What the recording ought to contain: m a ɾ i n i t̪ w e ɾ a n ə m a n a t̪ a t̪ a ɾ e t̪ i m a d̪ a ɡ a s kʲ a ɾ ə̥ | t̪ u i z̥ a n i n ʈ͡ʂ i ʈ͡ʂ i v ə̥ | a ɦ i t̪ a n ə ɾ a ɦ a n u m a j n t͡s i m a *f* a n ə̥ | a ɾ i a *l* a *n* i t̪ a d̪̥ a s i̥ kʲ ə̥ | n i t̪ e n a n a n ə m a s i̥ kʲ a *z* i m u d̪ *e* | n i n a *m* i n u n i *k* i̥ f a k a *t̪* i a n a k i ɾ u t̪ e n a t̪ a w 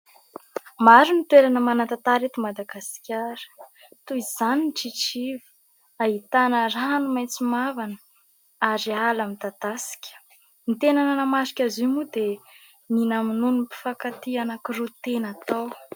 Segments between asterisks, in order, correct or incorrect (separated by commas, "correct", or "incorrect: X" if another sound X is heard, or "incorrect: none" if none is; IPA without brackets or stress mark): incorrect: v, correct, incorrect: m, correct, correct, correct, incorrect: p, correct